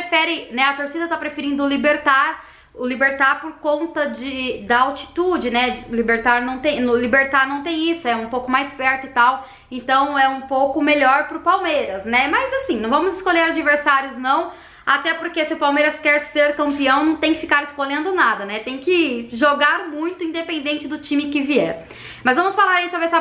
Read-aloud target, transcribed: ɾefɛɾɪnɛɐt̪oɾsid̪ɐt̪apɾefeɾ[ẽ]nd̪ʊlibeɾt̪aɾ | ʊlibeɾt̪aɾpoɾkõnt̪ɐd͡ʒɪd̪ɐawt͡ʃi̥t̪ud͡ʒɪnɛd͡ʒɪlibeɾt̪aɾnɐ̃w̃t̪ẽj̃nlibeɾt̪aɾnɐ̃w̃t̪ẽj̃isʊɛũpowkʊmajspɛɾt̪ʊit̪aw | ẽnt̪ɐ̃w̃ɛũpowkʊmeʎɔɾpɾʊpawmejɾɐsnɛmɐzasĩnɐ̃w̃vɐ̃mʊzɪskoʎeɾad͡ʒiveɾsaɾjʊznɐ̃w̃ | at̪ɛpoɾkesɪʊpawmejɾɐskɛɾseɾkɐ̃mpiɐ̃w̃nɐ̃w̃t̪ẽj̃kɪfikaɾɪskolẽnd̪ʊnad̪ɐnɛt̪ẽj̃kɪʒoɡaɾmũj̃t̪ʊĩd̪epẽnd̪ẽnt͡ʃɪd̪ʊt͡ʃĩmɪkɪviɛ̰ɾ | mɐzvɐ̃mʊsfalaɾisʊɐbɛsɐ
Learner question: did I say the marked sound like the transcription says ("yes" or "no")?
no